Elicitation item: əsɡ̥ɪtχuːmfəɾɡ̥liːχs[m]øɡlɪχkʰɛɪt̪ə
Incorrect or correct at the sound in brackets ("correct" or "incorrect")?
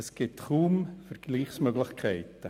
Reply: correct